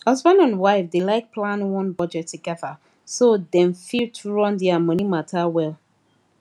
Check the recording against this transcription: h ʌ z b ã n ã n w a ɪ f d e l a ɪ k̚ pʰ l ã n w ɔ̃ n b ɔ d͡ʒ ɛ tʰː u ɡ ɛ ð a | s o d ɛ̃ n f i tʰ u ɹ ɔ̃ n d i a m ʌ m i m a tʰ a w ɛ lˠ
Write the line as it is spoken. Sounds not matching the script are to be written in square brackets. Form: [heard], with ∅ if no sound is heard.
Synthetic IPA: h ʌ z b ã n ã n w a ɪ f d e l a ɪ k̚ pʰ l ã n w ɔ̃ n b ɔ d͡ʒ ɛ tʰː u ɡ ɛ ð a | s o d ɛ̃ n f i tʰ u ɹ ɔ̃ n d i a m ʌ [n] i m a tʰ a w ɛ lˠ

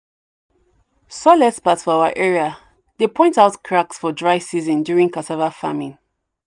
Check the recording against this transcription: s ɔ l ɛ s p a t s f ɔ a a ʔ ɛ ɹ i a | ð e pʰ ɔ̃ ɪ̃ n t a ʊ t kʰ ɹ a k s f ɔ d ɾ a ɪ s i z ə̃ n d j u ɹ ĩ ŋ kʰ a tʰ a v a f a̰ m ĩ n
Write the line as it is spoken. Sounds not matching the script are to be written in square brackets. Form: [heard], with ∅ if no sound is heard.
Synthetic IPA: s ɔ l ɛ s p a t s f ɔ a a ʔ ɛ ɹ i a | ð e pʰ ɔ̃ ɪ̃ n t a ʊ t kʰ ɹ a k s f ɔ d [ɹ] a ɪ s i z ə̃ n d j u ɹ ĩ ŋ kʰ a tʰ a v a f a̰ m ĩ n

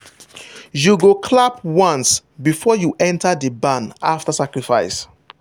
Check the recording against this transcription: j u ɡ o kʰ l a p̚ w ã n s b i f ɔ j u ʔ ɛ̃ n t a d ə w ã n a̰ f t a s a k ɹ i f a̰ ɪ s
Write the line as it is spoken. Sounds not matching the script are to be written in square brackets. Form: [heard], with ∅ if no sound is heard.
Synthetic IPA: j u ɡ o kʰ l a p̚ w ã n s b i f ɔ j u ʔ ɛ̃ n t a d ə [b] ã n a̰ f t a s a k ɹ i f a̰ ɪ s

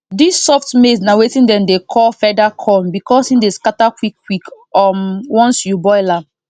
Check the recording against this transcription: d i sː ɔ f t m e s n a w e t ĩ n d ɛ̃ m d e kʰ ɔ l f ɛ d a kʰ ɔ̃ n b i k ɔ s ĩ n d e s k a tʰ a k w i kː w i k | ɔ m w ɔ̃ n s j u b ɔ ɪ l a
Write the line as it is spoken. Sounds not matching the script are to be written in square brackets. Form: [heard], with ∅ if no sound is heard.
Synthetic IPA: d i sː ɔ f t m e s n a w e t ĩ n d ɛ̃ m d e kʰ ɔ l f ɛ d a kʰ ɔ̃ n b i k ɔ s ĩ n d e s k a [t] a k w i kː w i k | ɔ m w ɔ̃ n s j u b ɔ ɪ l a

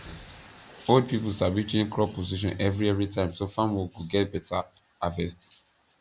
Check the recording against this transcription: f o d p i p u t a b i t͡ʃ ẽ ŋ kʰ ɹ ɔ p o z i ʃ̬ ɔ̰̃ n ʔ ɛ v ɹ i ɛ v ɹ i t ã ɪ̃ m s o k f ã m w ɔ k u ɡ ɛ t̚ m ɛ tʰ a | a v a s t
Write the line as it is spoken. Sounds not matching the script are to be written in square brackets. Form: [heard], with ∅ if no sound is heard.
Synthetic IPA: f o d p i p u [s] a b i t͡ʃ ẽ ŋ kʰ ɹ ɔ p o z i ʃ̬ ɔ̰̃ n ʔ ɛ v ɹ i ɛ v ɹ i t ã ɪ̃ m s o [∅] f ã m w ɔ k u ɡ ɛ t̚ [b] ɛ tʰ a | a v [ɛ] s t

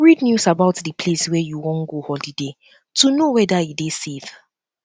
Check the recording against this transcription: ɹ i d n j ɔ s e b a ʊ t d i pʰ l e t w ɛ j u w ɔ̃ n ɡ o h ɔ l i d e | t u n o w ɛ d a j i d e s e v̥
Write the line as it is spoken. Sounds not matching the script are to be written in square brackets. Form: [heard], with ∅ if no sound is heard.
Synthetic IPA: ɹ i d n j [u] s [a] b a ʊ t d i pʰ l e [s] w ɛ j u w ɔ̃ n ɡ o h ɔ l i d e | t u n o w ɛ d a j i d e s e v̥

